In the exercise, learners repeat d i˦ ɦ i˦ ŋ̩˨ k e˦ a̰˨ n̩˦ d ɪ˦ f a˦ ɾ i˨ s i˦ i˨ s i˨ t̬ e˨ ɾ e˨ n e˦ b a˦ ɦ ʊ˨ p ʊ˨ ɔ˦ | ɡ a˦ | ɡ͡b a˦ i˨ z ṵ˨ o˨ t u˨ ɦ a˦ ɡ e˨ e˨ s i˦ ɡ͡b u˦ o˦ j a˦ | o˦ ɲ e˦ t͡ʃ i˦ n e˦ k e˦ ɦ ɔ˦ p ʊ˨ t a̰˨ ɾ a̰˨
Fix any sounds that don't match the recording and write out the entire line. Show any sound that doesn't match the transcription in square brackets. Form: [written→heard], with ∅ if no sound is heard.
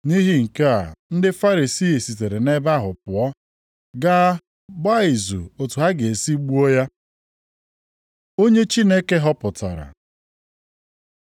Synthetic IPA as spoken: [d→n] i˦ ɦ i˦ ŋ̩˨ k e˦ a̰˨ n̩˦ d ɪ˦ f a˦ ɾ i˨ s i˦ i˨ s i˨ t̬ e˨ ɾ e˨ n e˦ b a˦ ɦ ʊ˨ p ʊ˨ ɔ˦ | ɡ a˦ | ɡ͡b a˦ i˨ z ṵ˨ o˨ t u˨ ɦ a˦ ɡ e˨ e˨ s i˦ ɡ͡b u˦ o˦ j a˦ | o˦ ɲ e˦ t͡ʃ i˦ n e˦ k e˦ ɦ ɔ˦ p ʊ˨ t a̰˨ ɾ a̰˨

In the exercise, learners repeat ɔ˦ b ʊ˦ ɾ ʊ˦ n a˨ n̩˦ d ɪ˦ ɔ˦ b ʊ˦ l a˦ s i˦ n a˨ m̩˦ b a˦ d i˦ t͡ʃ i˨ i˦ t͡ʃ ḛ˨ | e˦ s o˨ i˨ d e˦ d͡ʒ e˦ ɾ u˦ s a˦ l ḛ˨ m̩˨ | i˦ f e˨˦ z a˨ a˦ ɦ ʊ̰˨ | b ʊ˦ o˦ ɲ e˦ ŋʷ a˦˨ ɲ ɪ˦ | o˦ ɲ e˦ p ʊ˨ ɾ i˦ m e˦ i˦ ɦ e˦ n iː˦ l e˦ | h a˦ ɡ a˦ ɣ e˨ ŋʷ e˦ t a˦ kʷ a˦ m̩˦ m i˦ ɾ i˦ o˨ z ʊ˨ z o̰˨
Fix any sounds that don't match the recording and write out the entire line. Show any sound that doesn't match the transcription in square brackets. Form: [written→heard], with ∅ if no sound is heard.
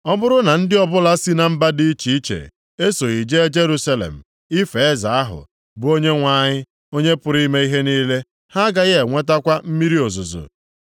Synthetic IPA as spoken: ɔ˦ b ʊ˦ ɾ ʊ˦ n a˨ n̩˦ d ɪ˦ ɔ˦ b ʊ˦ l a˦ s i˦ n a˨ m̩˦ b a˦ d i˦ t͡ʃ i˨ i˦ t͡ʃ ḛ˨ | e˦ s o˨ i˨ [d→d͡ʒ] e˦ d͡ʒ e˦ ɾ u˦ s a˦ l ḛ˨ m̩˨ | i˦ f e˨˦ z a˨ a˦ ɦ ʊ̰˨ | b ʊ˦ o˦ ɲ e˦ ŋʷ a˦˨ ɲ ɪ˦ | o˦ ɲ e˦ p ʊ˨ ɾ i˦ m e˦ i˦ ɦ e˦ n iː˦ l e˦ | h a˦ ɡ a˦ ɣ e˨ ŋʷ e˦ t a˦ kʷ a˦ m̩˦ m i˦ ɾ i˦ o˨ z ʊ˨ z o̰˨

